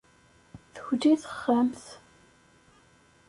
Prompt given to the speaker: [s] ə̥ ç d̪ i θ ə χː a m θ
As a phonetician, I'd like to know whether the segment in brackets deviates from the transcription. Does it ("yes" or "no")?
yes